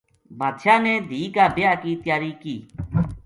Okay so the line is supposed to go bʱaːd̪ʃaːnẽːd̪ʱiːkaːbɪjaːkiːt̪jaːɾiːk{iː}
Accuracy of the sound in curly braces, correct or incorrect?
correct